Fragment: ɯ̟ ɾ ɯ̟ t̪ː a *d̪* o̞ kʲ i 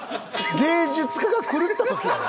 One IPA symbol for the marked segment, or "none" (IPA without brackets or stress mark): t̪